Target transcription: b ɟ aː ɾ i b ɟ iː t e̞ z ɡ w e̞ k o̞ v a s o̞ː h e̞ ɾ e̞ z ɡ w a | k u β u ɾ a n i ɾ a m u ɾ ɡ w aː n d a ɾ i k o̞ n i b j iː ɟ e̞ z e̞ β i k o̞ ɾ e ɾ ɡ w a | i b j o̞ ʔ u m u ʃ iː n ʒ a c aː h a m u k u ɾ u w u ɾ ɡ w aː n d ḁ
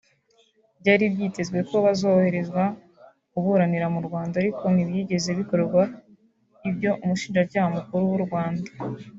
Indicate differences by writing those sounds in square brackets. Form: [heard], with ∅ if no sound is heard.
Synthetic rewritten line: b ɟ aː ɾ i b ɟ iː t e̞ z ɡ w e̞ k o̞ [β] a [z] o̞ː h e̞ ɾ e̞ z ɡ w a | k u β u ɾ a n i ɾ a m u ɾ ɡ w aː n d a ɾ i k o̞ n i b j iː ɟ e̞ z e̞ β i k o̞ ɾ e ɾ ɡ w a | i b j o̞ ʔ u m u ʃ iː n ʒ a c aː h a m u k u ɾ u w u ɾ ɡ w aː n d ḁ